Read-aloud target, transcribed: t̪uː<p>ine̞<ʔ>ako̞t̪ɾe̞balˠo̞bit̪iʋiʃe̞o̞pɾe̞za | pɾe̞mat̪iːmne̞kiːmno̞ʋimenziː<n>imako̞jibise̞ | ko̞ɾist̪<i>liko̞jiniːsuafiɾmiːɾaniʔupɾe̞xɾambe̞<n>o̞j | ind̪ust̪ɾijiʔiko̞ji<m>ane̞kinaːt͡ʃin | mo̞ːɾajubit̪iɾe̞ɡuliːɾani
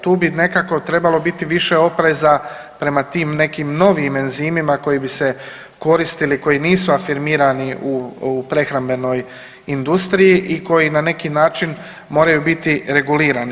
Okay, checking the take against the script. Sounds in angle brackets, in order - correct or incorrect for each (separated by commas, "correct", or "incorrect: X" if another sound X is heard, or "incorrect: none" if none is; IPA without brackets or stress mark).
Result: incorrect: b, incorrect: k, incorrect: m, correct, correct, incorrect: n